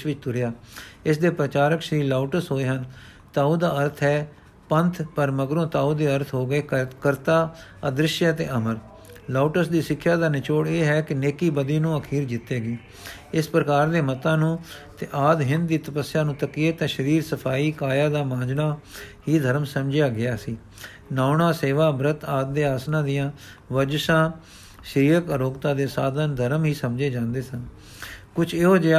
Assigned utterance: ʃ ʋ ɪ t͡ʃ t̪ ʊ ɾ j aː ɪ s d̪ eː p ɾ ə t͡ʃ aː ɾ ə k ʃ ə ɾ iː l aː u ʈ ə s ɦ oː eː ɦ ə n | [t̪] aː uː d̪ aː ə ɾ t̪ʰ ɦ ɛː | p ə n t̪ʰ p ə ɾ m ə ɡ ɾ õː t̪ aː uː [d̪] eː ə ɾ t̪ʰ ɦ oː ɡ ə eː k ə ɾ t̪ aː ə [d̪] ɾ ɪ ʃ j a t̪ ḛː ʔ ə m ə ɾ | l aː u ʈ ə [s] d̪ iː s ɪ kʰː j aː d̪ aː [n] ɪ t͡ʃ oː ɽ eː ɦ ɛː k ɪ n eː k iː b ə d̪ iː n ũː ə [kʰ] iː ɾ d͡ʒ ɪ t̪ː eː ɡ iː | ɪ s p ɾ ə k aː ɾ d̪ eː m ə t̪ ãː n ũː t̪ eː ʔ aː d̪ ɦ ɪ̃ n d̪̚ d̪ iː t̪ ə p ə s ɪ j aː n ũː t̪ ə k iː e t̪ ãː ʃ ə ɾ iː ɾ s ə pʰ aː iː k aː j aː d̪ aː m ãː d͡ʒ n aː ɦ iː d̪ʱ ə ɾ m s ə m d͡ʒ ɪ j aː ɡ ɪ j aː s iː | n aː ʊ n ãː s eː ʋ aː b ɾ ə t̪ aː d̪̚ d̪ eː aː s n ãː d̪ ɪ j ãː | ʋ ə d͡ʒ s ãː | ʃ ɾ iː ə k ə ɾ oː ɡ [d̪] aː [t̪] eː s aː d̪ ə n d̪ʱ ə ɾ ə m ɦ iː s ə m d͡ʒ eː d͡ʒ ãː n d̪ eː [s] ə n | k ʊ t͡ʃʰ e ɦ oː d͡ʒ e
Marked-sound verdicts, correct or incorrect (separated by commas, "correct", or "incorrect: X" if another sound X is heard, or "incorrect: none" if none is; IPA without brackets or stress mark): correct, correct, correct, correct, correct, correct, incorrect: t̪, incorrect: d̪, correct